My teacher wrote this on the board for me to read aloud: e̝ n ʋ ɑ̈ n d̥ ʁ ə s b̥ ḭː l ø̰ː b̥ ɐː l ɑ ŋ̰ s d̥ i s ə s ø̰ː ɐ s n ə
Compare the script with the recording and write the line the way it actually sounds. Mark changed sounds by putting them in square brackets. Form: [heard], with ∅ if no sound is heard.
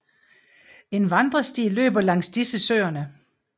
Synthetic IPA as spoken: e̝ n ʋ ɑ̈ n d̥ ʁ [ɐ] s [d̥] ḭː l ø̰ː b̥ [ɐ] l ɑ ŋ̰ s d̥ i s ə s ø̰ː ɐ [∅] n ə